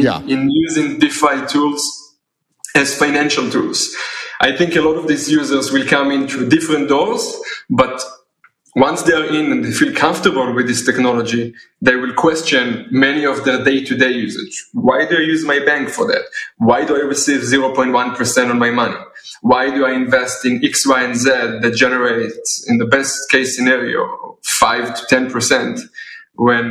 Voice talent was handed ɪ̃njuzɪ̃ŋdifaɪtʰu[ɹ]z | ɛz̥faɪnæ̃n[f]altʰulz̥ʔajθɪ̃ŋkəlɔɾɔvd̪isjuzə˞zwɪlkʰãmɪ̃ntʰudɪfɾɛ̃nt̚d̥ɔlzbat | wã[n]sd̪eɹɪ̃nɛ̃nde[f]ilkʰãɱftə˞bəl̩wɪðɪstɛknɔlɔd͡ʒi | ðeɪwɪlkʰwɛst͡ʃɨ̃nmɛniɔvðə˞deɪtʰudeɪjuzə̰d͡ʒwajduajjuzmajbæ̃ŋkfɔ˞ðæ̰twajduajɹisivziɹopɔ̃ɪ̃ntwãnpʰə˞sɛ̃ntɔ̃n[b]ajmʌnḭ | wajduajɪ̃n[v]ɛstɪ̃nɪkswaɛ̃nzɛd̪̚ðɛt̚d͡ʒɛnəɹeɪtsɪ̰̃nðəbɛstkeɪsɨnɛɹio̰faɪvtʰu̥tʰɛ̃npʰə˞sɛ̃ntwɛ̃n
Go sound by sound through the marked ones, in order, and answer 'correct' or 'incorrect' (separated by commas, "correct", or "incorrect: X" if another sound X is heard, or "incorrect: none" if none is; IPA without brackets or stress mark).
incorrect: l, incorrect: ʃ, correct, correct, incorrect: m, correct